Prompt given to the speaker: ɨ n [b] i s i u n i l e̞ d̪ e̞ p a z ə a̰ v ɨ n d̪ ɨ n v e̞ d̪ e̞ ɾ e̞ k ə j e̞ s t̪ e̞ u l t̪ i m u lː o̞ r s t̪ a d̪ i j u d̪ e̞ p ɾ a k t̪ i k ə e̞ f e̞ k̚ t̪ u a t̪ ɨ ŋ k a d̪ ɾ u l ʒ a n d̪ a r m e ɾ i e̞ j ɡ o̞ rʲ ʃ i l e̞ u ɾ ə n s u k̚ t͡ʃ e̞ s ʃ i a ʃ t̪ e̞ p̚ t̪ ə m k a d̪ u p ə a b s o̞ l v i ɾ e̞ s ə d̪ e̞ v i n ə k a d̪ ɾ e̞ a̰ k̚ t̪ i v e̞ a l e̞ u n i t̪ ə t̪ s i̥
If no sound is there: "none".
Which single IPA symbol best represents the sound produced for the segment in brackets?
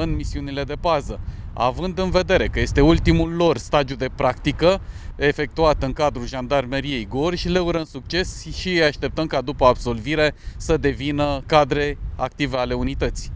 m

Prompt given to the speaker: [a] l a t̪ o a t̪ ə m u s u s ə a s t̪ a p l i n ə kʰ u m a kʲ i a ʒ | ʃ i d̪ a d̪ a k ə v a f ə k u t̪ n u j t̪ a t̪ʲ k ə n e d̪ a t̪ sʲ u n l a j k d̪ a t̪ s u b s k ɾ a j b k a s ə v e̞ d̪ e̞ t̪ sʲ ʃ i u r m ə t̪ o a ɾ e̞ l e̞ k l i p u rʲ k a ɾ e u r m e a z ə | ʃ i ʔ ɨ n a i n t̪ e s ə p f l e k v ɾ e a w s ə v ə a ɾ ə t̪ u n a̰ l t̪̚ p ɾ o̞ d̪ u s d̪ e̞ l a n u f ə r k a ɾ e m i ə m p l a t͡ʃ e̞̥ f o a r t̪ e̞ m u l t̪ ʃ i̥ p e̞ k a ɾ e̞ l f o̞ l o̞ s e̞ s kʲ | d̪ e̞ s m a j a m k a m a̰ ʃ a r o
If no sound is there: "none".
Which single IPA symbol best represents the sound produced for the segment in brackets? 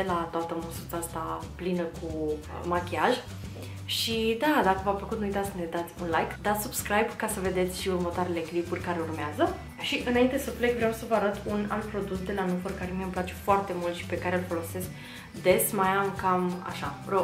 e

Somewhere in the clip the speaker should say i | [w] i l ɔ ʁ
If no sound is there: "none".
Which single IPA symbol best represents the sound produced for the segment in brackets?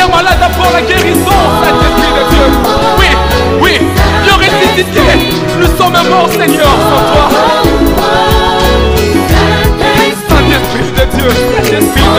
w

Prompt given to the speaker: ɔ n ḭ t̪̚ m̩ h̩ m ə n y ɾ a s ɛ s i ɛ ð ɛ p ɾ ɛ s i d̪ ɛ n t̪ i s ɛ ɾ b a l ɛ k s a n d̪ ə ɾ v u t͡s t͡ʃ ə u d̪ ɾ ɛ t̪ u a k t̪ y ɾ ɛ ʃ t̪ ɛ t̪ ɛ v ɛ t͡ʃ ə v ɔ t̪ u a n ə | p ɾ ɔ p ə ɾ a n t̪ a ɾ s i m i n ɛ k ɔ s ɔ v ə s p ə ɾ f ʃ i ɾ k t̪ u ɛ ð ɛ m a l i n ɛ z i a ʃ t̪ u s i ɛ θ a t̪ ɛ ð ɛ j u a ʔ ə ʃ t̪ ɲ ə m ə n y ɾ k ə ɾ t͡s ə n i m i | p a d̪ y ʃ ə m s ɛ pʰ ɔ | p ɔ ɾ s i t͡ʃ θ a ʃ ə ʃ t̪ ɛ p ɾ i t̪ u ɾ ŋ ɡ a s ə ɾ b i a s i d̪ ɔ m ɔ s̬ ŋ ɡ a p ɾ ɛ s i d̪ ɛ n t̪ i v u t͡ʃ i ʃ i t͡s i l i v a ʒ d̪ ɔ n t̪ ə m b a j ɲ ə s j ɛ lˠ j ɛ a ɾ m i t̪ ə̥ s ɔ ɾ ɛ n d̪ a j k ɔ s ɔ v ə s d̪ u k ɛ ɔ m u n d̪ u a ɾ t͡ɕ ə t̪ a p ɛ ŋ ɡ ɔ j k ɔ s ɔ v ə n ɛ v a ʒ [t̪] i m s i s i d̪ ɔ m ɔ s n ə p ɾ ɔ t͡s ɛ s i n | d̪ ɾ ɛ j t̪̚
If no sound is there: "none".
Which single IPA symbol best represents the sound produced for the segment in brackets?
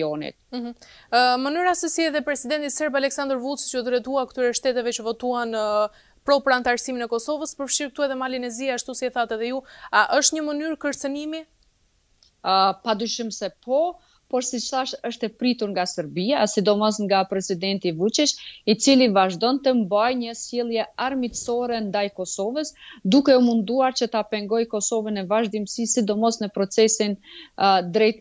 d̪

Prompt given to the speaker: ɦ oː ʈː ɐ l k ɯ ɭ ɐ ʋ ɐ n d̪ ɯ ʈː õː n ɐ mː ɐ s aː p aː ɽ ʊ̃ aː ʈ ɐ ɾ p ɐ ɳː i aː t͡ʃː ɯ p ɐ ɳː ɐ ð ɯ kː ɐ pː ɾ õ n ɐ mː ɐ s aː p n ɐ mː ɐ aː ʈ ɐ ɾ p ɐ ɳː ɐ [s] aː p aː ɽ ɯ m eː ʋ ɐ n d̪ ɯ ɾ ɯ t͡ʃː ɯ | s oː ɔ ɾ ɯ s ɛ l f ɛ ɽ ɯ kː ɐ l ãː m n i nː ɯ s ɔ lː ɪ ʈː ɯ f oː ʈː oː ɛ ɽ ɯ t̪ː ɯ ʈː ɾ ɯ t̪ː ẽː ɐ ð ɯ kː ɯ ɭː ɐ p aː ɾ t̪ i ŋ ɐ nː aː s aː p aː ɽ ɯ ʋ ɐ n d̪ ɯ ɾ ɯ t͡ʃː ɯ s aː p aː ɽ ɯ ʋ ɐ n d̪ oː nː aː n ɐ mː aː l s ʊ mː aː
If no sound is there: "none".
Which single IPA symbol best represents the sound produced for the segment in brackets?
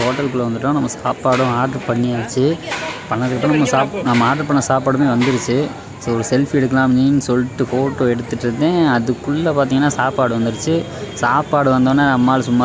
s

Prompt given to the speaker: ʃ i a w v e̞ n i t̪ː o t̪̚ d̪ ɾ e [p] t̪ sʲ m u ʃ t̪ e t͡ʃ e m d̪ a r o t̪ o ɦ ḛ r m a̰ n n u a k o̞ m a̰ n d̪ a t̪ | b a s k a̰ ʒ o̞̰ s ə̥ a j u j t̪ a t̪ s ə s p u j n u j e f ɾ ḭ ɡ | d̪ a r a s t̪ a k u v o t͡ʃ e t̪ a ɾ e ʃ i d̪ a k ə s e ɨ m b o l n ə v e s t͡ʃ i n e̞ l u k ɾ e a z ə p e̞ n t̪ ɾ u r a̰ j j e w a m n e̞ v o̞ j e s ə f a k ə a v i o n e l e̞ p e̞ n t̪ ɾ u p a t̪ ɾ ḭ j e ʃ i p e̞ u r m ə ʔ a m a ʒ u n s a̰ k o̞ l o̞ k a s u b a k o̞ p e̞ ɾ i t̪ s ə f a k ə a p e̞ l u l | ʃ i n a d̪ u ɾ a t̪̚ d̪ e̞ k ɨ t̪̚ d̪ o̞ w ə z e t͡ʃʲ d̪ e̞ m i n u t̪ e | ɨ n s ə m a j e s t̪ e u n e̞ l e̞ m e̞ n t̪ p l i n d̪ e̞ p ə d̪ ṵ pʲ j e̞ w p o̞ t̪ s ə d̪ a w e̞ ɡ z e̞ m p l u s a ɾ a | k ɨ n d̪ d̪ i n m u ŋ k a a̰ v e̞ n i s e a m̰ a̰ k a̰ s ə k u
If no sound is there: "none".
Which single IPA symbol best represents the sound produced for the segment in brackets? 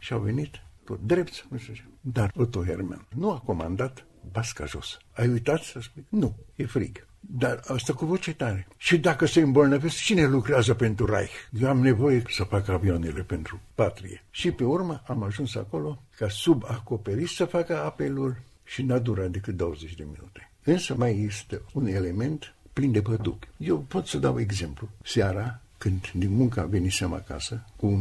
p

